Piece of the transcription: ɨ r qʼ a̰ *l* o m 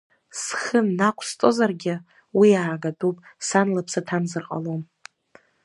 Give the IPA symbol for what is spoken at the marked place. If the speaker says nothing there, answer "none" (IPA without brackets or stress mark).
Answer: l